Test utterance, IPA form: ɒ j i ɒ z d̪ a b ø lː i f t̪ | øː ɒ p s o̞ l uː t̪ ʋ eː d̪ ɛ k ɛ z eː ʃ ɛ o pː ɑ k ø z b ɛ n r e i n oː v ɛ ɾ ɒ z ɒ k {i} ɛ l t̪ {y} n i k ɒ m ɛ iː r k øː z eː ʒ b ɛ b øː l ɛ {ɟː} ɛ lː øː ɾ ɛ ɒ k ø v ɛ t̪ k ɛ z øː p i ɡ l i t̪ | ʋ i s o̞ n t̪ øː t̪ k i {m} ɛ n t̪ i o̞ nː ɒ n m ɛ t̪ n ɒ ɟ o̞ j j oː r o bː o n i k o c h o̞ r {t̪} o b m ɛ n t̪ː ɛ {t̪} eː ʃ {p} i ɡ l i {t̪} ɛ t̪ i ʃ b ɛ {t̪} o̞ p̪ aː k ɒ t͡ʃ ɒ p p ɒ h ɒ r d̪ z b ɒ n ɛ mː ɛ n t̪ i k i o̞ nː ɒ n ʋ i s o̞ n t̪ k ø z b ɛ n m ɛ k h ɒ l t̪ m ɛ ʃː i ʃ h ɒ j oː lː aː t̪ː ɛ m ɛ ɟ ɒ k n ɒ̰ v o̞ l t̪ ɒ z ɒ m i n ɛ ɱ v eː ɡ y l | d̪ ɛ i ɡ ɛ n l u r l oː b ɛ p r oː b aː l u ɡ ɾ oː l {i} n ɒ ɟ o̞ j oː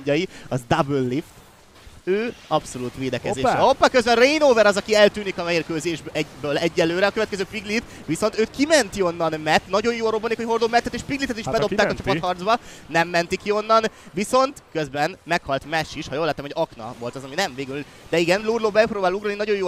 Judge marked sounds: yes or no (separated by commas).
yes, no, yes, yes, no, yes, yes, yes, no, yes